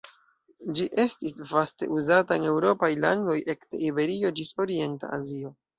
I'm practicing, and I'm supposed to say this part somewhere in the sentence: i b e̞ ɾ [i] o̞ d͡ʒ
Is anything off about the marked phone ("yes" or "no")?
no